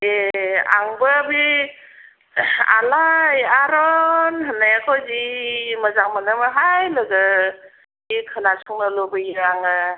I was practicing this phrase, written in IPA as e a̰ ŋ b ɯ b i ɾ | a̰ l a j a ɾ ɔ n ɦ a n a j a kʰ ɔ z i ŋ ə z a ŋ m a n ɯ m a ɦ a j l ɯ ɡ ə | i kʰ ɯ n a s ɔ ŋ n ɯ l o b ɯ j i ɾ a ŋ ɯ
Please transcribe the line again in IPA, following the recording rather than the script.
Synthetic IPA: e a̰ ŋ b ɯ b i | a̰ l a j a ɾ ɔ n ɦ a n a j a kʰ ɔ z i m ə z a ŋ m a n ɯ m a ɦ a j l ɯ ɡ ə | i kʰ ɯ n a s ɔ ŋ n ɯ l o b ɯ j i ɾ a ŋ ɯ